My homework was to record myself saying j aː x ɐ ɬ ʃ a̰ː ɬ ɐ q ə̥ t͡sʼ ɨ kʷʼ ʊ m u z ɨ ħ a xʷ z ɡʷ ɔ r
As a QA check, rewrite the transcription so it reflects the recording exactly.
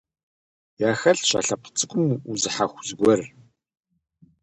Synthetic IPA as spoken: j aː x ɐ ɬ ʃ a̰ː ɬ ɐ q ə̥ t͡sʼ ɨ kʷʼ ʊ m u z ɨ ħ a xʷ z ɡʷ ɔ r